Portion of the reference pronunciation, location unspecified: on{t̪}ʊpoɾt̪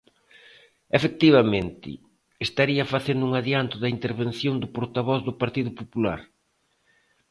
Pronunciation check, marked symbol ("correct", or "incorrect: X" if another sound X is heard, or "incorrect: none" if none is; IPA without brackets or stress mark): incorrect: d̪